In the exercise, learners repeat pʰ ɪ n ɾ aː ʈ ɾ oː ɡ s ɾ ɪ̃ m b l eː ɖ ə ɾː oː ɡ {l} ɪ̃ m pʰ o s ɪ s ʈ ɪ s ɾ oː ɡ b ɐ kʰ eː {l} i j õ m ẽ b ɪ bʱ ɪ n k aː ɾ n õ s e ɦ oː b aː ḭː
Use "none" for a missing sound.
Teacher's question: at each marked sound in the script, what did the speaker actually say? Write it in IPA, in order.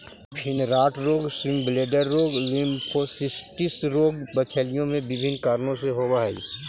l, l

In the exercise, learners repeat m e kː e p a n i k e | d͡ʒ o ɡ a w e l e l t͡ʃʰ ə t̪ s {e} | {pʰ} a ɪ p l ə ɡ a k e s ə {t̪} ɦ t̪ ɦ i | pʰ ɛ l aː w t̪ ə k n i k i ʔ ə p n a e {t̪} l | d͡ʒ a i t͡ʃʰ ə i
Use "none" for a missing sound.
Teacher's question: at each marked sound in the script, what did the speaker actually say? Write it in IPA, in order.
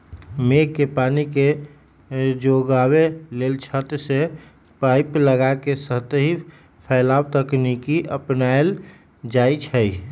e, p, none, none

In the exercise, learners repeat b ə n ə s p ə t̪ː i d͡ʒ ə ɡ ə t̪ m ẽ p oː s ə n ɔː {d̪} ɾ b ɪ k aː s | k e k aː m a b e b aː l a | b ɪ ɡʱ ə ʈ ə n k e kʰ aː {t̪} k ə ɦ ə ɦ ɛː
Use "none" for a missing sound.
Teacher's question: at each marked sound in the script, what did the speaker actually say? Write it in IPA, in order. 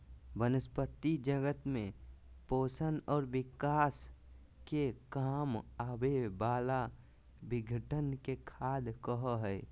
none, d̪

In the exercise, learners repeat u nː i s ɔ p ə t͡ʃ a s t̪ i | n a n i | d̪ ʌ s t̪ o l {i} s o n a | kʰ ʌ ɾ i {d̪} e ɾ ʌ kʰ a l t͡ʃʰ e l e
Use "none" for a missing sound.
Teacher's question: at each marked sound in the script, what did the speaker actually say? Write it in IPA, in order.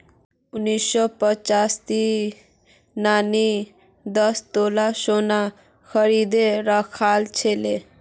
a, d̪

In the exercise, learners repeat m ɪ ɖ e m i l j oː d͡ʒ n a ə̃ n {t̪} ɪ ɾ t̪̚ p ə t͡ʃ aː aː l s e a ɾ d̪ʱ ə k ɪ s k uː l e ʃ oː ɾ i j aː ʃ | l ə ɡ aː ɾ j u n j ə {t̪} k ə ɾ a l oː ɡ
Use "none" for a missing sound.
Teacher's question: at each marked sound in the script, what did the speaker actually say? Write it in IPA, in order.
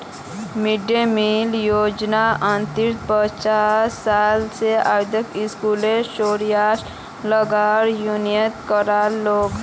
t̪, t̪

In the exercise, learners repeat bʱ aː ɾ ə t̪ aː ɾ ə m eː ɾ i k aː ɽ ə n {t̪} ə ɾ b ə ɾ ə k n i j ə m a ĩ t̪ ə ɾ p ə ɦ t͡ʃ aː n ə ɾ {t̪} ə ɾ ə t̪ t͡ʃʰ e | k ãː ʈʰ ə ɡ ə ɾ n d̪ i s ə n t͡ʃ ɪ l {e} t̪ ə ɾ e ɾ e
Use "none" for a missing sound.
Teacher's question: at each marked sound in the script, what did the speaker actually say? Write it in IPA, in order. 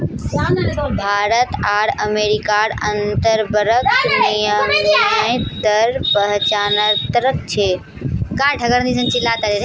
t̪, t̪, a

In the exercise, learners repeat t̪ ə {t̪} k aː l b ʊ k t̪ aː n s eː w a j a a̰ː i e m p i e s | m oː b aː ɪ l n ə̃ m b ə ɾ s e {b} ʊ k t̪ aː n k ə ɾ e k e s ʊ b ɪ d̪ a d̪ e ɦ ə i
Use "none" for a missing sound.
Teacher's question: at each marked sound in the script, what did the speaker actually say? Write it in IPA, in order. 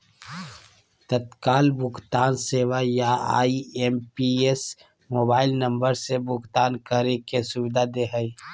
t̪, b

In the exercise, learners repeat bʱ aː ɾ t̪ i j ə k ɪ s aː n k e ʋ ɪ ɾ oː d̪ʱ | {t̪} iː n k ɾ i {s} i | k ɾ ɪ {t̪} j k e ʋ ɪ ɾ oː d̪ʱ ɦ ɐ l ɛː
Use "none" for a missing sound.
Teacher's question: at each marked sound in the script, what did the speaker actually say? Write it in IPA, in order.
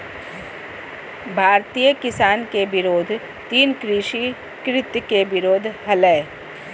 t̪, ʃ, t̪

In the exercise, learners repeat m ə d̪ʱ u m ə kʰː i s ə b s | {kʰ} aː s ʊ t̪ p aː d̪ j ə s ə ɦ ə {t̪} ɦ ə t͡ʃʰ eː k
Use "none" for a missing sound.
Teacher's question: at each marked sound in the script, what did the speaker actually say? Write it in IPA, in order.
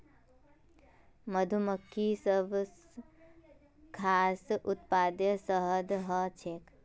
kʰ, d̪

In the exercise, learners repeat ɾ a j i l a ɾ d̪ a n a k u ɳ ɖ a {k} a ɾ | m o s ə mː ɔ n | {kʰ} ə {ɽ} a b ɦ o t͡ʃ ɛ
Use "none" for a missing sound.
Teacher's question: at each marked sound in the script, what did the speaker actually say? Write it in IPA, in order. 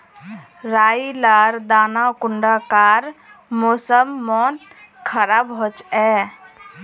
k, kʰ, ɾ

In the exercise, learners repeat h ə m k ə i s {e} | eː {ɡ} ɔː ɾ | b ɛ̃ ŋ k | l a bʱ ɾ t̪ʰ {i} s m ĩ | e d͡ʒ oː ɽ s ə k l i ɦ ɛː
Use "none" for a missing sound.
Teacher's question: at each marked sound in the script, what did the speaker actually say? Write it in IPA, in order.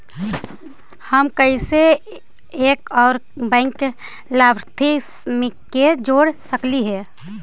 e, k, i

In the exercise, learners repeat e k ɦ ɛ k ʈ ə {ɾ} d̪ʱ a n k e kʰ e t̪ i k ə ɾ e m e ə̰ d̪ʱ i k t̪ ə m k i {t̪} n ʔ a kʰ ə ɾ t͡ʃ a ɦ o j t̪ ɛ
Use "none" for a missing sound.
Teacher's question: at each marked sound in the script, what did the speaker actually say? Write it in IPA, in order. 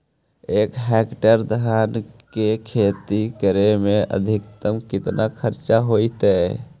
ɾ, t̪

